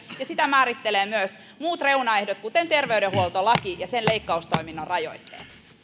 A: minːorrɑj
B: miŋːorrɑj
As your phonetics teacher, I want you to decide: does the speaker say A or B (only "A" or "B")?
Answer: A